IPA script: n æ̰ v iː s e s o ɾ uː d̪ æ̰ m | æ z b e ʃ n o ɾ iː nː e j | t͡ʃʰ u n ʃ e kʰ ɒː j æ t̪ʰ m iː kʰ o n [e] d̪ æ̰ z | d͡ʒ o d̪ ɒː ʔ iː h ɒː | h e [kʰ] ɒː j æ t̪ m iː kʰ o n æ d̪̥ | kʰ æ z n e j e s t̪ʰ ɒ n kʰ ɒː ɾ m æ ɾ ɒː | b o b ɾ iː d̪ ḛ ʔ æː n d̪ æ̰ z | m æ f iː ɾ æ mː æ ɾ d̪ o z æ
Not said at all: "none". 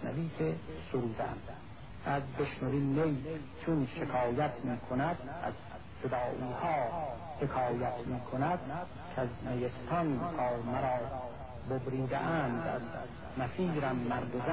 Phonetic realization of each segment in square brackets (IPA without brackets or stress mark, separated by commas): æ, kʰ